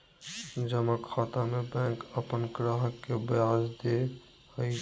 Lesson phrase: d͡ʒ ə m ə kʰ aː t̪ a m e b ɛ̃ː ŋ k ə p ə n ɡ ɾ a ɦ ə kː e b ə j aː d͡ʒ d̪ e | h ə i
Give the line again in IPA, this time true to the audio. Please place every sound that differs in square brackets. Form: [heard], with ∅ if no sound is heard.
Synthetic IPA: d͡ʒ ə m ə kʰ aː t̪ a m e b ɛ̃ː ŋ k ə p ə n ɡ ɾ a ɦ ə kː e b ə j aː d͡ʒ d̪ e | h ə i